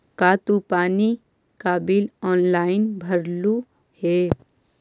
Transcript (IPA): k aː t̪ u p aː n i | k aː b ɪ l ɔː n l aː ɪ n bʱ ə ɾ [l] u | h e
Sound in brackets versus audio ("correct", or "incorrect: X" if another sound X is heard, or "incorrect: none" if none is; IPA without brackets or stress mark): correct